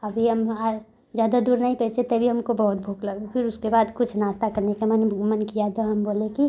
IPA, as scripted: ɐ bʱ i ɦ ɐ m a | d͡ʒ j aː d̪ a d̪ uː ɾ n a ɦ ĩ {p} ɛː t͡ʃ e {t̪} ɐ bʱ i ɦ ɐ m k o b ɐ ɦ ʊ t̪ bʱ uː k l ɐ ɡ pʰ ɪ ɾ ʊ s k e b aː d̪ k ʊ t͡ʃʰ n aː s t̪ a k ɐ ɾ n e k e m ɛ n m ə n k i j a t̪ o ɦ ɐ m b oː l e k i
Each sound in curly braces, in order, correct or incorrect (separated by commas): correct, correct